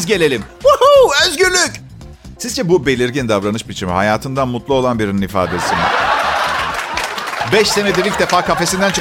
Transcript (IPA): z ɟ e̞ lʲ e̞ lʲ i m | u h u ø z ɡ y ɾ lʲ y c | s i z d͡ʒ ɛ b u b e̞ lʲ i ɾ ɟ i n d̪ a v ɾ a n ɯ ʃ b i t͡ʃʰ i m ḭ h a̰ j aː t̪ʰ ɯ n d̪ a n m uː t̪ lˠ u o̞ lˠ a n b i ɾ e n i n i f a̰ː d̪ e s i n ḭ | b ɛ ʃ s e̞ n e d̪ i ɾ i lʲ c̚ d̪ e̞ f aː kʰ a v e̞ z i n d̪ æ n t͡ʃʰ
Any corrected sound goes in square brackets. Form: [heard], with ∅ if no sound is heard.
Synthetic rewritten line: z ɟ e̞ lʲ e̞ lʲ i m | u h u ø z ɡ y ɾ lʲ y c | s i z d͡ʒ ɛ b u b e̞ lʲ i ɾ ɟ i n d̪ a v ɾ a n ɯ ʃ b i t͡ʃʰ i m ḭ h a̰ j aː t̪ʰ ɯ n d̪ a n m [u] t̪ lˠ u o̞ lˠ a n b i ɾ [i] n i n i f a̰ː d̪ e s i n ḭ | b ɛ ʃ s e̞ n e d̪ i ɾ i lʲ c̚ d̪ e̞ f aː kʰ a [f] e̞ [s] i n d̪ æ n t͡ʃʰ